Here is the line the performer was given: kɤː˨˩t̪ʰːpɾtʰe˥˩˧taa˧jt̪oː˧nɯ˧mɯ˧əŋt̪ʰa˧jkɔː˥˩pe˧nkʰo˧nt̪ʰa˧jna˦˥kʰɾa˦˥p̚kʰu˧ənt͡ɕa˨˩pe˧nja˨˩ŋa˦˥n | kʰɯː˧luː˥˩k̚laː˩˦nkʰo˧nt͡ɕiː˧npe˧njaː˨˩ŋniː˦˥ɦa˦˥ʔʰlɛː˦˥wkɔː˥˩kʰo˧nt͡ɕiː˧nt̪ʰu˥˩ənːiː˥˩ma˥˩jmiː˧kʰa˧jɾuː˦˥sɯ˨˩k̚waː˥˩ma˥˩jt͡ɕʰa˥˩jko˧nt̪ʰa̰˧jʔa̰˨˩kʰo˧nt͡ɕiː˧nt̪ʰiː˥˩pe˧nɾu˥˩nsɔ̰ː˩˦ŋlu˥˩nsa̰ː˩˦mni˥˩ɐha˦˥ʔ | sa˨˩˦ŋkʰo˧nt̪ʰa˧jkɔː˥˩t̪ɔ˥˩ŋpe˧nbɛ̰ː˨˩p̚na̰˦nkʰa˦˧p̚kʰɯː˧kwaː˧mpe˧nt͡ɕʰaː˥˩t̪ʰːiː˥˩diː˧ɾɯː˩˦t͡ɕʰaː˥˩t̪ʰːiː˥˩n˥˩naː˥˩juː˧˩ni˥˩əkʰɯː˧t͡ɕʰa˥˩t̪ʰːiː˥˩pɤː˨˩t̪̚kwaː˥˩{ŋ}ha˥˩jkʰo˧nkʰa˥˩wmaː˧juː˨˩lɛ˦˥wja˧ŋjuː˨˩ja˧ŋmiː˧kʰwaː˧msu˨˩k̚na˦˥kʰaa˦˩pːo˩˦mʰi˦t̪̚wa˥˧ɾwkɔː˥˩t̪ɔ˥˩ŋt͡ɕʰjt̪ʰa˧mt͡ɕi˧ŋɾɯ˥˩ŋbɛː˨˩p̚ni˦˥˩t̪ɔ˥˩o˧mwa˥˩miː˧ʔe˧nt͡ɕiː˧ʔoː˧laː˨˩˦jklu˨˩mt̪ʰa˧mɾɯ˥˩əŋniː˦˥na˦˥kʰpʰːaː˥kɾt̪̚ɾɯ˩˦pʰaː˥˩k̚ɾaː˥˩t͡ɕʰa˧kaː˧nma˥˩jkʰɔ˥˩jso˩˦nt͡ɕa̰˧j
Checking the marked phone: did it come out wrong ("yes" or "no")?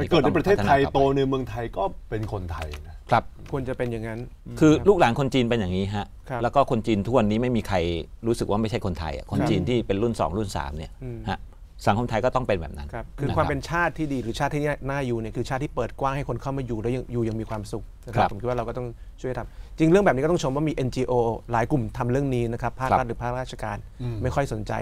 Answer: no